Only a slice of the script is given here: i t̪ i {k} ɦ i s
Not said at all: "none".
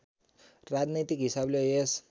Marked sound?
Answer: k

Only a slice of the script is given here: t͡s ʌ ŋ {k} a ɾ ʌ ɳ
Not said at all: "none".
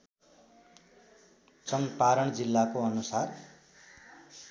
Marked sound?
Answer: p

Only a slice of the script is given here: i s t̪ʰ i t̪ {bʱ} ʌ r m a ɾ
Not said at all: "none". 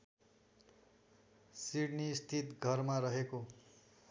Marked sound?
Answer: ɡʱ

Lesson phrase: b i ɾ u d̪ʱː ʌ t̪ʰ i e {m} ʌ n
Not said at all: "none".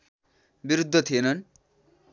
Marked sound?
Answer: n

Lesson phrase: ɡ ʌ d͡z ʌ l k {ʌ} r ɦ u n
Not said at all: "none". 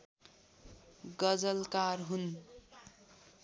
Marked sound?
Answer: a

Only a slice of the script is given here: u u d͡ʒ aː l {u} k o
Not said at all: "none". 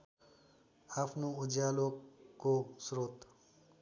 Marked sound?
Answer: o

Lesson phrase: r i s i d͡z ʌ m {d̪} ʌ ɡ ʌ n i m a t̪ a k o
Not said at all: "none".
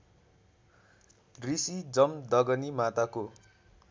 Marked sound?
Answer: d̪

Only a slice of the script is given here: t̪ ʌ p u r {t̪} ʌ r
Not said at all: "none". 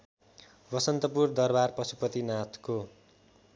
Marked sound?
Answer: d̪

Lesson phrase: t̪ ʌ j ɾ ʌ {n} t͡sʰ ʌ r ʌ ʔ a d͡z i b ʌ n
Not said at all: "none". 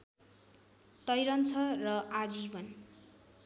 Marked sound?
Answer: n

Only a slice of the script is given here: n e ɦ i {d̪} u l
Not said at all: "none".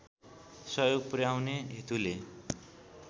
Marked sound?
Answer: t̪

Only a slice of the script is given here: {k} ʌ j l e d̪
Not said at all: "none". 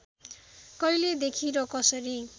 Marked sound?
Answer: k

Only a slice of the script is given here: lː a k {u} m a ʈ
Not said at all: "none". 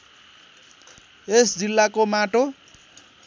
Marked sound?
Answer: o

